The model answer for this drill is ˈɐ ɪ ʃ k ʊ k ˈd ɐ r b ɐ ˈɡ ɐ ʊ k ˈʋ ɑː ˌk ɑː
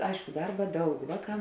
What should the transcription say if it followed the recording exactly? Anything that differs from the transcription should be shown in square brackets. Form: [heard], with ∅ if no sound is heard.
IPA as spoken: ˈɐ ɪ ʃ k ʊ [∅] ˈd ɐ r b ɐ [ˈd] ɐ ʊ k ˈʋ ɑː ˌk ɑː